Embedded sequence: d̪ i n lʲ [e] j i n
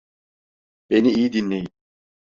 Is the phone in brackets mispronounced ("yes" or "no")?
no